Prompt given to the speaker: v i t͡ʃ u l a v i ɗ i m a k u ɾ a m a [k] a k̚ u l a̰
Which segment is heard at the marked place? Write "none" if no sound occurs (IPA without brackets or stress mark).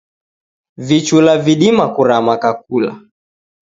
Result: k